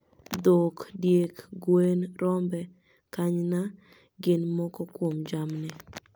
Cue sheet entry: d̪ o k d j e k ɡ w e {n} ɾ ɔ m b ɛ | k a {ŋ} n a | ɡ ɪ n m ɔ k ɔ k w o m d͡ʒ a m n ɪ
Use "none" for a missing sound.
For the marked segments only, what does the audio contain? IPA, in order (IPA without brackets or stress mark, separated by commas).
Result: n, ɲ